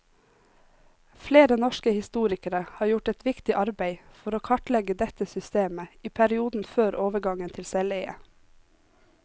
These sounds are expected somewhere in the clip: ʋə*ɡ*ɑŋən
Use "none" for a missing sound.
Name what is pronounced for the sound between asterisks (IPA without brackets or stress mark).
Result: ɡ